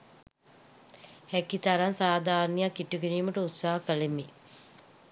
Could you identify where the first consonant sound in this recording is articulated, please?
glottal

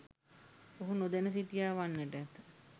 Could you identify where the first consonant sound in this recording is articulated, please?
glottal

